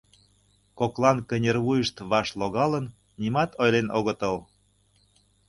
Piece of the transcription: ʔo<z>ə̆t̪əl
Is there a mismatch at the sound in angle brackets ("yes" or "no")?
yes